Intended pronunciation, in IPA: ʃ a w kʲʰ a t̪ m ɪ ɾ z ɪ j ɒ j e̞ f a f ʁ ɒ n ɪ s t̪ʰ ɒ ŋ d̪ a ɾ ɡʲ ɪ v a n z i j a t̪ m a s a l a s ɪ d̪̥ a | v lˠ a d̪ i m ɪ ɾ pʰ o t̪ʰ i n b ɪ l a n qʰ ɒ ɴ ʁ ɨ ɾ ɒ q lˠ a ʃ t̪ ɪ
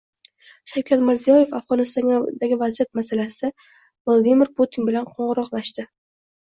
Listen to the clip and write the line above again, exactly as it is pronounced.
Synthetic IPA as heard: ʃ a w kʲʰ a t̪ m ɪ ɾ z i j ɒ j e̞ f a f ʁ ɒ n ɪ s t̪ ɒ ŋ d̪ a ɡʲ ɪ v a z i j a t̪ m a s a l a s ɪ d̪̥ a | v lˠ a d̪ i m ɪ ɾ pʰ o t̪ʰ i n b ɪ l a n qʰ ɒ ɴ ʁ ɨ ɾ ɒ q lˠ a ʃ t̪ ɪ